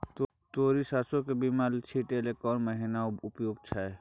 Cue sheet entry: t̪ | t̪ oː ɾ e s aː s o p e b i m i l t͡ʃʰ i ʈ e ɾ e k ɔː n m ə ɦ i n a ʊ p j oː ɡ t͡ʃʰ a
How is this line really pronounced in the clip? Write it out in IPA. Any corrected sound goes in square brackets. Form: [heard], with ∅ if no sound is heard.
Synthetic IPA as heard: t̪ | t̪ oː ɾ [i] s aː s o [k] e b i m [a] l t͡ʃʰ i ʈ e [l] e k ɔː n m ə ɦ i n a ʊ p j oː ɡ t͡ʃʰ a